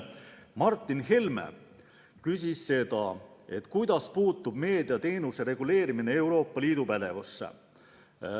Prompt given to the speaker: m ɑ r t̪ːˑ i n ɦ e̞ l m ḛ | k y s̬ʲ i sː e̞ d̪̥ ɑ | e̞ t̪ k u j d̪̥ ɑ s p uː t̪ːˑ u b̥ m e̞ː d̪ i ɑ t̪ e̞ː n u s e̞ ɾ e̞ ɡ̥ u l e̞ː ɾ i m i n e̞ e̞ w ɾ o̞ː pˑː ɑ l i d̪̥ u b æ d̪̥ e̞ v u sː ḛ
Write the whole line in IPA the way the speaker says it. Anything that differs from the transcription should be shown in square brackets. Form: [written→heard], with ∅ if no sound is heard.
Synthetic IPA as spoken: m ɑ r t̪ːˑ i n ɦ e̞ l m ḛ | k y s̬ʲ i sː e̞ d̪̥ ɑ | e̞ t̪ k u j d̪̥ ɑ s p uː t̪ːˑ u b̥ m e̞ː d̪ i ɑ t̪ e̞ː n u s e̞ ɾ e̞ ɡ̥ u l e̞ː ɾ i m i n e̞ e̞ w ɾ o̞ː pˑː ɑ l [i→iː] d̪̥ u [b→p] æ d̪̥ e̞ v u sː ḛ